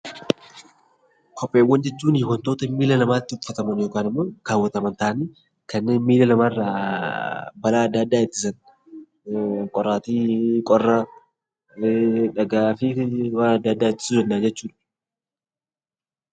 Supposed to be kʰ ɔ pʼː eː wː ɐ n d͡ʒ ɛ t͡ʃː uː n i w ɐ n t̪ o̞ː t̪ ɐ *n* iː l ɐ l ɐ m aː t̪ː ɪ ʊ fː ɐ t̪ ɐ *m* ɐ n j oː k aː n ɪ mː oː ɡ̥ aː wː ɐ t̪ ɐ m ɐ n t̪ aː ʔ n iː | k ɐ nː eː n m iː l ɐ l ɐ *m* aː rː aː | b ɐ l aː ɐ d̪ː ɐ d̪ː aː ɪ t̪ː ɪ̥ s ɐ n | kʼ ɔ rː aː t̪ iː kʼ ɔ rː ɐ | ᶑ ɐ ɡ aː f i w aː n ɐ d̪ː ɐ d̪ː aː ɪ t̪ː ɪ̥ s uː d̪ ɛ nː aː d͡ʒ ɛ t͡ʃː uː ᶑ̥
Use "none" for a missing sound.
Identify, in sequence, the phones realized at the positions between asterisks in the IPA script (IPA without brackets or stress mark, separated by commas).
m, m, m